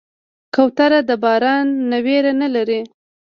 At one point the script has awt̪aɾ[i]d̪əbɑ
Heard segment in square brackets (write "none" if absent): a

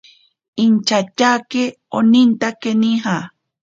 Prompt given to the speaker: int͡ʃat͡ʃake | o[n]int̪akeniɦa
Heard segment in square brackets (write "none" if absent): n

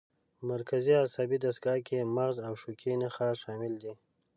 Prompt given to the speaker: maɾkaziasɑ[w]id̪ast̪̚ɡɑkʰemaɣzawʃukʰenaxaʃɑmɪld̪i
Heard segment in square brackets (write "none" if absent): b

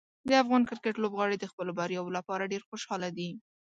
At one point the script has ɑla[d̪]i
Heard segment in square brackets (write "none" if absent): d̪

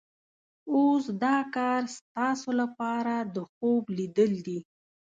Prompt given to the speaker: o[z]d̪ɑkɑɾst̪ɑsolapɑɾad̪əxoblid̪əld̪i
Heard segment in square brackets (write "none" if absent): s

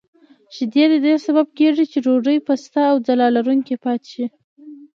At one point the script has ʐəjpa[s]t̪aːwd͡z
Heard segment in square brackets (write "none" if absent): s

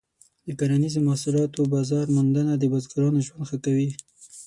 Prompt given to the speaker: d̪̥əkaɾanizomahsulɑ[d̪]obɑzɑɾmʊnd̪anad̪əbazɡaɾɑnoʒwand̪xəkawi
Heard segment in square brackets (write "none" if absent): t̪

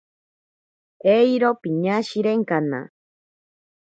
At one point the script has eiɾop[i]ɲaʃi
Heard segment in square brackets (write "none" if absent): i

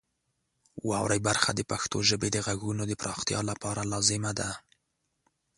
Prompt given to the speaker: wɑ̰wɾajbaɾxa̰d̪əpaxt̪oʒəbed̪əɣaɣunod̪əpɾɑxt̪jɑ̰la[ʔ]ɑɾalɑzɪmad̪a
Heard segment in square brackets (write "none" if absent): p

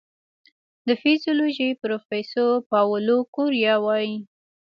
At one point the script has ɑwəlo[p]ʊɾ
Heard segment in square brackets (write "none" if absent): k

